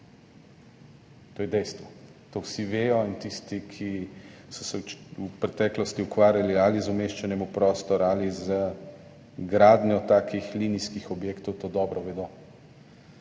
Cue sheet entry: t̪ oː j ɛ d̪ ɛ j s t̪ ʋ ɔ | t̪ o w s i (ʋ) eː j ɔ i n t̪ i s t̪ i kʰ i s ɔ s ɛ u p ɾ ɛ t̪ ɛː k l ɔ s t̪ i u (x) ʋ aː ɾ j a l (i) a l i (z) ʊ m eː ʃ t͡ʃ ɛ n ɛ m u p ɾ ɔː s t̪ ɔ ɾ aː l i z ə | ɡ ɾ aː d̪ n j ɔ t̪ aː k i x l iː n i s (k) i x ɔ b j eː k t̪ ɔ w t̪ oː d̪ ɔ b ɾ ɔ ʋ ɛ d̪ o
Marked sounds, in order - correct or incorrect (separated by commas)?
correct, incorrect, correct, correct, correct